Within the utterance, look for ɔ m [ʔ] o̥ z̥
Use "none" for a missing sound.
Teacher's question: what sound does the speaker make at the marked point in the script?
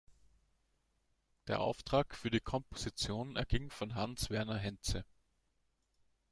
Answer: p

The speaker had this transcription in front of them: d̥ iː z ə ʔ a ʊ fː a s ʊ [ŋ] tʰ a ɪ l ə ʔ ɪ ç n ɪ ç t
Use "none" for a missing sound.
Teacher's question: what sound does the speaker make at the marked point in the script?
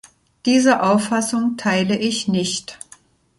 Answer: ŋ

